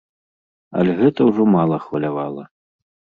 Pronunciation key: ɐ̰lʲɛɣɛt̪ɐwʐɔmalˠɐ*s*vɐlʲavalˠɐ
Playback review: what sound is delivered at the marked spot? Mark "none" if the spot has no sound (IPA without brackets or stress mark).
x